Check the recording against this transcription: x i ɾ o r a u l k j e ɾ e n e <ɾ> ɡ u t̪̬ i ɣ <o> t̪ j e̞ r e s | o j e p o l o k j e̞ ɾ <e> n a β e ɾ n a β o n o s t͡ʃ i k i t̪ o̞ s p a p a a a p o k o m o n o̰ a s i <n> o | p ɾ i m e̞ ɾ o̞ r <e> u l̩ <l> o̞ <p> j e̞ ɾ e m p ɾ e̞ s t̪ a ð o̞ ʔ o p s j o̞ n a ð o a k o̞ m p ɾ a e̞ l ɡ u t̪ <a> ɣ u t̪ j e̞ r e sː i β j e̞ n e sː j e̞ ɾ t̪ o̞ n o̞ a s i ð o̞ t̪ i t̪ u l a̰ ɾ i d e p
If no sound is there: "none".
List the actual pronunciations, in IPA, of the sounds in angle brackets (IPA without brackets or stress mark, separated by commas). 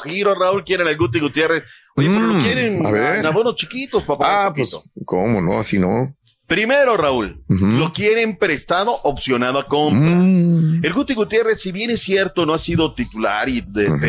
l, u, e, n, a, l, k, i